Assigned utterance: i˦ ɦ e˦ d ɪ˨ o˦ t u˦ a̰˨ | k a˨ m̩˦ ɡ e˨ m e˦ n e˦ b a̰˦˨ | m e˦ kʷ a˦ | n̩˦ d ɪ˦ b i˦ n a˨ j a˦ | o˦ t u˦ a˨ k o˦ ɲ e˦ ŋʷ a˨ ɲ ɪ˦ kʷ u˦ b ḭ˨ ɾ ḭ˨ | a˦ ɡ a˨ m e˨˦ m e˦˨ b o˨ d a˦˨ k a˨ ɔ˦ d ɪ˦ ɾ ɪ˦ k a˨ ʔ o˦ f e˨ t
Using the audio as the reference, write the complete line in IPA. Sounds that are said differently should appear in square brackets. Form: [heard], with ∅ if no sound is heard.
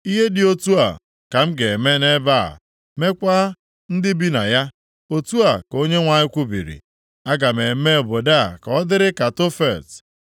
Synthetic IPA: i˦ ɦ e˦ d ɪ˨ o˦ t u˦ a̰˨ | k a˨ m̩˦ ɡ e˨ m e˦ n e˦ b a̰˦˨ | m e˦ kʷ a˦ | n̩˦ d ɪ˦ b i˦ n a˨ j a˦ | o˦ t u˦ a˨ k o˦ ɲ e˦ ŋʷ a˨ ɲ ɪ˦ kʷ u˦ b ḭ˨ ɾ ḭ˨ | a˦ ɡ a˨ m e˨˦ m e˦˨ b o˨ d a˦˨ k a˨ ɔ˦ d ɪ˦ ɾ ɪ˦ k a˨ [t] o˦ f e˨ t

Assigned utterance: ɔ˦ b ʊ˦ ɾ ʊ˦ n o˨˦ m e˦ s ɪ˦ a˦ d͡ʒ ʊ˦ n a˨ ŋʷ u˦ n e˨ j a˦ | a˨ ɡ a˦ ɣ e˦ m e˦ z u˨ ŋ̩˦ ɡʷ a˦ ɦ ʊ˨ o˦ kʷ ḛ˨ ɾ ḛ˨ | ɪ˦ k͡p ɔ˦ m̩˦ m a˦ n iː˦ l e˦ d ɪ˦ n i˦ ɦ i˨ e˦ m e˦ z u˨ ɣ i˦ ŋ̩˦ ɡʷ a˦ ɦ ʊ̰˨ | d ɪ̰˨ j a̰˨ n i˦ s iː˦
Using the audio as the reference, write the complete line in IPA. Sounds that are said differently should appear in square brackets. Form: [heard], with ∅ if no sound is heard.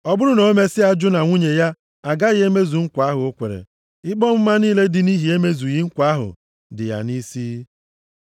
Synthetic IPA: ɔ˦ b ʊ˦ ɾ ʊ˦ n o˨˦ m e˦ s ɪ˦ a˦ d͡ʒ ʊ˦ n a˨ ŋʷ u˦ [ɲ] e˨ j a˦ | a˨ ɡ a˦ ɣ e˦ m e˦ z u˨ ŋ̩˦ [kʷ] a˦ ɦ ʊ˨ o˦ kʷ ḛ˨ ɾ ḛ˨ | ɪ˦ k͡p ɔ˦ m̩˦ m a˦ n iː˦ l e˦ d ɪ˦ n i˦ ɦ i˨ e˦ m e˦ z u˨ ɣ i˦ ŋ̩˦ [kʷ] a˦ ɦ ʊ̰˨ | d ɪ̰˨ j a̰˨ n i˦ s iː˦

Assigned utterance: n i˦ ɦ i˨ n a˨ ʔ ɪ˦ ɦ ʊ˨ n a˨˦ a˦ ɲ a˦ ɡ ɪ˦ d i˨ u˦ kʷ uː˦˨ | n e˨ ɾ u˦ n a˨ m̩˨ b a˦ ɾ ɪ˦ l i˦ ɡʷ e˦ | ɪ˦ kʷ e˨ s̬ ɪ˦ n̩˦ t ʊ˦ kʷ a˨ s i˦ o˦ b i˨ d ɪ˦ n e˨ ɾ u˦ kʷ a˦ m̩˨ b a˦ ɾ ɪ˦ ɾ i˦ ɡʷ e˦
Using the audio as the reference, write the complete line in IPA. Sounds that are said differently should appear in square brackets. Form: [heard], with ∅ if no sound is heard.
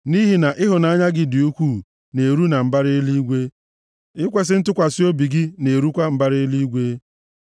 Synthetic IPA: n i˦ ɦ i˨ n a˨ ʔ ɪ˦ ɦ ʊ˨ n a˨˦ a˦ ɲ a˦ ɡ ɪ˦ d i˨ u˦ kʷ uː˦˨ | n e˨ ɾ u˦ n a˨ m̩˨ b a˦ ɾ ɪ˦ l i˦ ɡʷ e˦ | ɪ˦ kʷ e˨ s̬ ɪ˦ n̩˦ t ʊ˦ kʷ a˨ s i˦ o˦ b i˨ [ɡ] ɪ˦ n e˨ ɾ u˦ kʷ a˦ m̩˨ b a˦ ɾ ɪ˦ [l] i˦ ɡʷ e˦

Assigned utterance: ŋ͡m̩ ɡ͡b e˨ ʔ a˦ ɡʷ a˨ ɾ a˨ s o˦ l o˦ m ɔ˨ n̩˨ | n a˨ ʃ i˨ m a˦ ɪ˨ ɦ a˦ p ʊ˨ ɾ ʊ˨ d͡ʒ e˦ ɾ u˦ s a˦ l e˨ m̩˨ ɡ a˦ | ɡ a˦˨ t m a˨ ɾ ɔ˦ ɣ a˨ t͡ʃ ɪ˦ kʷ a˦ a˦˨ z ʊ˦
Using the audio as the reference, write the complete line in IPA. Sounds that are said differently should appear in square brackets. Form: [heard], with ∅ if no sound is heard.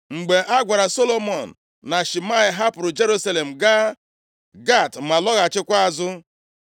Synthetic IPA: ŋ͡m̩ ɡ͡b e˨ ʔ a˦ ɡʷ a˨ ɾ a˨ s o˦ l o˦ m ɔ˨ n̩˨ | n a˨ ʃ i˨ m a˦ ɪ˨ ɦ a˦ p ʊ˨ ɾ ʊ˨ d͡ʒ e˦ ɾ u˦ s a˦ l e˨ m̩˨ ɡ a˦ | ɡ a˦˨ t m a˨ [l] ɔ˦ ɣ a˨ t͡ʃ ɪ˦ kʷ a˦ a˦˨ z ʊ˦

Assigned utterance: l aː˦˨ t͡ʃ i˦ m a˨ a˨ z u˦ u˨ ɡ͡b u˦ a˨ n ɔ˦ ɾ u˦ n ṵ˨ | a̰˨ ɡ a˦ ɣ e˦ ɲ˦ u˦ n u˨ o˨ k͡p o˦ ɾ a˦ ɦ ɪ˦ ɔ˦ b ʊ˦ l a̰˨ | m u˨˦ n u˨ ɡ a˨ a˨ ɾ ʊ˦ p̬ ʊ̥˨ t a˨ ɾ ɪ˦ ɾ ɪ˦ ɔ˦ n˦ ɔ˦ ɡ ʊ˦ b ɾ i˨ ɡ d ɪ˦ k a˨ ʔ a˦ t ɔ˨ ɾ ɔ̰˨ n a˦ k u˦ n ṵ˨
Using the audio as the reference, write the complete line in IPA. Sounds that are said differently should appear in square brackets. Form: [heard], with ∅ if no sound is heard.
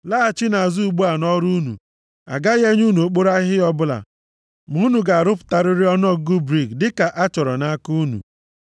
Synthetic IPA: l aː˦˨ t͡ʃ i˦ [n] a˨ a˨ z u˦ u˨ ɡ͡b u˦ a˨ n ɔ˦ ɾ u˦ n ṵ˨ | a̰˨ ɡ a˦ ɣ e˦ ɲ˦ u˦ n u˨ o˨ k͡p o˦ ɾ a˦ ɦ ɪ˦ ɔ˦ b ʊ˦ l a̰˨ | m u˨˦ n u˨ ɡ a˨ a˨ ɾ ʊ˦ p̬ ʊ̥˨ t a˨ ɾ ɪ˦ ɾ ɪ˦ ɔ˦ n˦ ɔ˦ ɡ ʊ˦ b ɾ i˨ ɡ d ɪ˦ k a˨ ʔ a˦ [t͡ʃ] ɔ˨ ɾ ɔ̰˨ n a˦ k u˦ n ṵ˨

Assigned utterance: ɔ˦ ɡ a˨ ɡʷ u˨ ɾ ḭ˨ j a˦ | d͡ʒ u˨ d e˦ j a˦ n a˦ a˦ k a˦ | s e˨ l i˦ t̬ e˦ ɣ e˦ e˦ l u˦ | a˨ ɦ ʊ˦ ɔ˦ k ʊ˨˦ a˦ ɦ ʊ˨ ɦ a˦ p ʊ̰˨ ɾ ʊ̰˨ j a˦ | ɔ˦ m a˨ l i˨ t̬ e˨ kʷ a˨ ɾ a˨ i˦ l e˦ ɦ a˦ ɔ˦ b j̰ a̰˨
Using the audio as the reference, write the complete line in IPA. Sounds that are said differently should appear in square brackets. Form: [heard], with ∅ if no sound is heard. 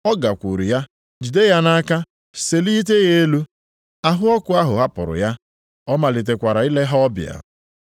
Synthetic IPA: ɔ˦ ɡ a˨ [kʷ] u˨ ɾ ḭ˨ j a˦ | d͡ʒ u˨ d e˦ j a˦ n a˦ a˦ k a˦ | s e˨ l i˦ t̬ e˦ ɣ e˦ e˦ l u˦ | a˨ ɦ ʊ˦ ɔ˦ k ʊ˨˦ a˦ ɦ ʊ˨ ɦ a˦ p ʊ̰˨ ɾ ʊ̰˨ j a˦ | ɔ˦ m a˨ l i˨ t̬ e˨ kʷ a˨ ɾ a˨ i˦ l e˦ ɦ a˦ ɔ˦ b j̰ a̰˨

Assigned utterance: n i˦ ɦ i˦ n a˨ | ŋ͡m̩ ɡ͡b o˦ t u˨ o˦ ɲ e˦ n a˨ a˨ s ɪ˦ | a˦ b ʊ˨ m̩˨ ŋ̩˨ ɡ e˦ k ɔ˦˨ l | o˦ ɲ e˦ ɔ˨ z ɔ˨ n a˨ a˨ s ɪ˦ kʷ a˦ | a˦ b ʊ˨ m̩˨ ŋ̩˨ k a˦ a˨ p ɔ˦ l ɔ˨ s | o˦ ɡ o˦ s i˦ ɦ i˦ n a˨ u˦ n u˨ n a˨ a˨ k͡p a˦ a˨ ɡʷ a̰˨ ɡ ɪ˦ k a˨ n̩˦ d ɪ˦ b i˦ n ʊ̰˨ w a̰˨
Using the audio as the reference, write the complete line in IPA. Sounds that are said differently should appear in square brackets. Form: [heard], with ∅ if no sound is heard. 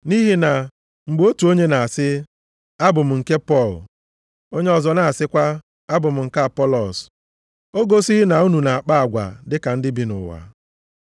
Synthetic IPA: n i˦ ɦ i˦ n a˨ | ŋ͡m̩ ɡ͡b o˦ t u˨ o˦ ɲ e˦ n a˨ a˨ s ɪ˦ | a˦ b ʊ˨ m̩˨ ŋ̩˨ [k] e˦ [p] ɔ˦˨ l | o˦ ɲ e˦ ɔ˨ z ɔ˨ n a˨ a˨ s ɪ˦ kʷ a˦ | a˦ b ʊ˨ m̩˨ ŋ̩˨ k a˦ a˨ p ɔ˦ l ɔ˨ s | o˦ ɡ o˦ s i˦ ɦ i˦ n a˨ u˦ n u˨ n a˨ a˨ k͡p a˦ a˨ ɡʷ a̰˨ [d] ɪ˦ k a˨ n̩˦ d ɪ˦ b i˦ n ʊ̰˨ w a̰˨

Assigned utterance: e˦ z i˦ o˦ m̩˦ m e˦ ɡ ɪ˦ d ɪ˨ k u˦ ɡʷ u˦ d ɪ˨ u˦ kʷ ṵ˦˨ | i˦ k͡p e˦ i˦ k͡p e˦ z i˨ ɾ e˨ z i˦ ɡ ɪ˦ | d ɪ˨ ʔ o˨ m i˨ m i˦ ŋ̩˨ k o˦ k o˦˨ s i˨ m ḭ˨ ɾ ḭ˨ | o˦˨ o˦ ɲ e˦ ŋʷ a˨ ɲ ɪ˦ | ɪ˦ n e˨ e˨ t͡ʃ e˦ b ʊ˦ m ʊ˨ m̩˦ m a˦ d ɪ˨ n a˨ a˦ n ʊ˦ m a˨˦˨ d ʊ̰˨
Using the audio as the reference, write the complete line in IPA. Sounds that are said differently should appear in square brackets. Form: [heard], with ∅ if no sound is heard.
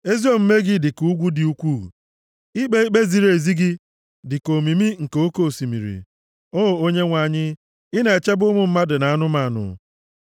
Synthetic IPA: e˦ z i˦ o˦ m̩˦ m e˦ ɡ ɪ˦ d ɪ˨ k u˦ ɡʷ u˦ d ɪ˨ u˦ kʷ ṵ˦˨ | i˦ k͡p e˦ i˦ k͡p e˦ z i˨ ɾ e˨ z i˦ ɡ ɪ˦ | d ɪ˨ [k] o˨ m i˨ m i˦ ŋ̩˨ k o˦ k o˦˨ s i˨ m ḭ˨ ɾ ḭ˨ | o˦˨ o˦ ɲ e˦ ŋʷ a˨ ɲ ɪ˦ | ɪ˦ n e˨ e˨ t͡ʃ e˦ b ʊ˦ m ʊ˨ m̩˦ m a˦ d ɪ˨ n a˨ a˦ n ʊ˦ m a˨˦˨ [n] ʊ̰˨

